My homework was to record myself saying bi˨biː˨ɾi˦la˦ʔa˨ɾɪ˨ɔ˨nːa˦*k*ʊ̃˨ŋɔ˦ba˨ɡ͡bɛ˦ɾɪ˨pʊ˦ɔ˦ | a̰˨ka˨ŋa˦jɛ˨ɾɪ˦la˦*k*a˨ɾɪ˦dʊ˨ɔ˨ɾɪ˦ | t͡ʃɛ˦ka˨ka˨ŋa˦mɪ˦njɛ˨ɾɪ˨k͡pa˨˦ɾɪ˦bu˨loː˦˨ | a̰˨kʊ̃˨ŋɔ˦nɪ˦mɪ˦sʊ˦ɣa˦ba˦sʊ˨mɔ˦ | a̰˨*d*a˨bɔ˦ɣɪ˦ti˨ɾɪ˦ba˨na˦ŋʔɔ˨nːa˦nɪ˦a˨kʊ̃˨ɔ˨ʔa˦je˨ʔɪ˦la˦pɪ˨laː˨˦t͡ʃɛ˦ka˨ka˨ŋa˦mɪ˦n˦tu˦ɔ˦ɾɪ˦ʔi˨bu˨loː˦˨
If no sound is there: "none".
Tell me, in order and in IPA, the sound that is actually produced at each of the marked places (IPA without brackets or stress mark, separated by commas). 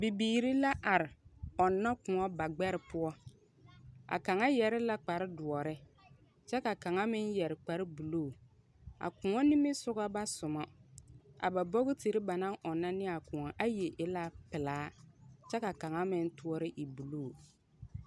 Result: k, k͡p, b